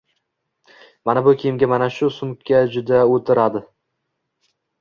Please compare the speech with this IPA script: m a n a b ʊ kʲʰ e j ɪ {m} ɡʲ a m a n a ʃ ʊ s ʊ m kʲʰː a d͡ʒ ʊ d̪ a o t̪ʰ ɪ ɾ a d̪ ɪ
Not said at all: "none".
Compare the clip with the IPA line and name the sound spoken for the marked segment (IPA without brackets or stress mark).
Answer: m